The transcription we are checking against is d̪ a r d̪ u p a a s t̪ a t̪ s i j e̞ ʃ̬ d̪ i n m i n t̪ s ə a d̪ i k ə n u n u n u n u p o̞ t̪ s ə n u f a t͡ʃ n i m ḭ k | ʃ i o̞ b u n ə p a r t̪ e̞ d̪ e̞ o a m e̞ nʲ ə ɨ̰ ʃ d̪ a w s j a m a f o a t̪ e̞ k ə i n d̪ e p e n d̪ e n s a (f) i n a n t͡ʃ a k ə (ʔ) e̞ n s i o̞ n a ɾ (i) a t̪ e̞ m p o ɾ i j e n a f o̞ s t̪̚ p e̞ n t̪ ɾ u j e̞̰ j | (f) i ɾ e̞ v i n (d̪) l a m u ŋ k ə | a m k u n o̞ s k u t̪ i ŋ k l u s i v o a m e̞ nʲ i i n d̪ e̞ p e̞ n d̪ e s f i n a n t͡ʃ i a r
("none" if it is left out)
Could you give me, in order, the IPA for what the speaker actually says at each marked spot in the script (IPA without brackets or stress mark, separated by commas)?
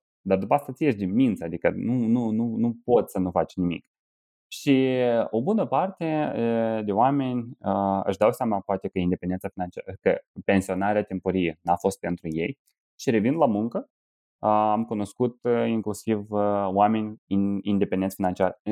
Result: f, p, e, ʃ, d̪